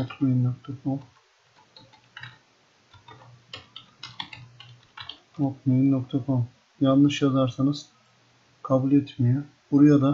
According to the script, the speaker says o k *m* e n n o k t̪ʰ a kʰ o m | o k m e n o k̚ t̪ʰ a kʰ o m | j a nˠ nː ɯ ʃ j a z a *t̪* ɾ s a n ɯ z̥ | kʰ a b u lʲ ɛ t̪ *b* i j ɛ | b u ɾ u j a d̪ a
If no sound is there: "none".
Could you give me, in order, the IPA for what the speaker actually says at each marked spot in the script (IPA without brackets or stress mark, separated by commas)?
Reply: m, none, m